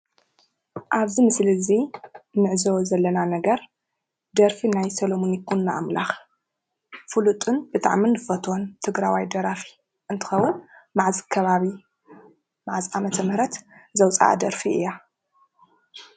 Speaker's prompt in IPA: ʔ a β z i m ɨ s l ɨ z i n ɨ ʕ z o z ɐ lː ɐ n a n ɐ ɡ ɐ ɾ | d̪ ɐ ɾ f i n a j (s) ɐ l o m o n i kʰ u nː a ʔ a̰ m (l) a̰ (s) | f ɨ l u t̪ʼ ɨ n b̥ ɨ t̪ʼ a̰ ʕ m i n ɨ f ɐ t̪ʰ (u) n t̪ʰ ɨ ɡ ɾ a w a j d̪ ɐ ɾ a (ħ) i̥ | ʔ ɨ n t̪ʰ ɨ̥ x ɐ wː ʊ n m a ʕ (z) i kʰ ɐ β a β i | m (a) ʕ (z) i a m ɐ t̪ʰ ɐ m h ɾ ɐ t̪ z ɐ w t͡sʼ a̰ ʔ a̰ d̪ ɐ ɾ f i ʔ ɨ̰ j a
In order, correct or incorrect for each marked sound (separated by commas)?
correct, correct, incorrect, incorrect, incorrect, correct, correct, correct